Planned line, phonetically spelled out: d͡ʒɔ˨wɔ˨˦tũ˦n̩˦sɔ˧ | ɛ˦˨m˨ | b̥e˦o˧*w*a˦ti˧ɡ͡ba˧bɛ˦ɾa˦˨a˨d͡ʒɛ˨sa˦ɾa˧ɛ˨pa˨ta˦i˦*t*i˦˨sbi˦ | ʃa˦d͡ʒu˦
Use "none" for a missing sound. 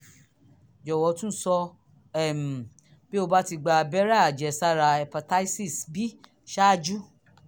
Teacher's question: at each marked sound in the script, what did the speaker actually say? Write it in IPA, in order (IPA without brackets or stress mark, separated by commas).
b, s